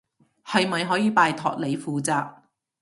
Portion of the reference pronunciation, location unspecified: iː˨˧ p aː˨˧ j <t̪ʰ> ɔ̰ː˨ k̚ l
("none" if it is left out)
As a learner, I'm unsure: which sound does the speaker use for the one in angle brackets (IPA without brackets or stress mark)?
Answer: t̪ʰ